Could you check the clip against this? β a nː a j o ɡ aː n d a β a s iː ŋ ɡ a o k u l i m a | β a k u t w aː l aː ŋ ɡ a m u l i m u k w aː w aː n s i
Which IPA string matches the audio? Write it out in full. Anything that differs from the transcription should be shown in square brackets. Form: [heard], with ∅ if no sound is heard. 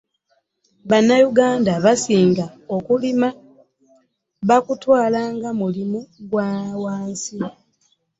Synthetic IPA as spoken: β a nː a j [u] ɡ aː n d a β a s iː ŋ ɡ a o k u l i m a | β a k u t w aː l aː ŋ ɡ a m u l i m u [ɡ] w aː w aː n s i